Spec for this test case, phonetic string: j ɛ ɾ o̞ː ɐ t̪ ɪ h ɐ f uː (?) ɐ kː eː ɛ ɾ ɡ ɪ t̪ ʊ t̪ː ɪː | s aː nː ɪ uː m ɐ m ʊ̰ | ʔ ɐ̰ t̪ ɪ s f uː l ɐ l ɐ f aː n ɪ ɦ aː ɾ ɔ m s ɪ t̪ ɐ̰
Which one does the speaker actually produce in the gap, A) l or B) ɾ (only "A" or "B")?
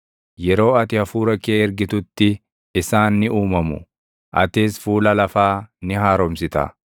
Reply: B